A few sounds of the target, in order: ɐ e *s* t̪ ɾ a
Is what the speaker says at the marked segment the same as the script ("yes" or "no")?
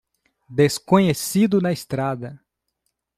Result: yes